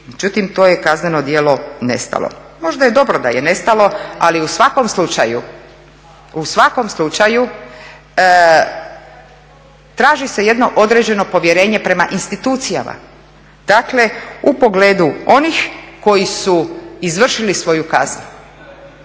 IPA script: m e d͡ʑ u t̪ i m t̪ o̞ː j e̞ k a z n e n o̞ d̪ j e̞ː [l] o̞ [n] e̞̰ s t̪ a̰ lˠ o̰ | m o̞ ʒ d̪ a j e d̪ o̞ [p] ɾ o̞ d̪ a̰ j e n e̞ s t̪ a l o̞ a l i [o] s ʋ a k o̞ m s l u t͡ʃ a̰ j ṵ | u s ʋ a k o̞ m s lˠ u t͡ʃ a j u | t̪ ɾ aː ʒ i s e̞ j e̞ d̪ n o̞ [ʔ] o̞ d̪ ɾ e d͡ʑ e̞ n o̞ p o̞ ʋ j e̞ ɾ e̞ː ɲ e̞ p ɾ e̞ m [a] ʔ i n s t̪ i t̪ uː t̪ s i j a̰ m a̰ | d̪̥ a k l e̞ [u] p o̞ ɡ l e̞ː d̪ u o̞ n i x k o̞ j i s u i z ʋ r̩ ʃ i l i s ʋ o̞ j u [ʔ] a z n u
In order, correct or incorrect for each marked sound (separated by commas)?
correct, correct, incorrect, incorrect, correct, correct, correct, incorrect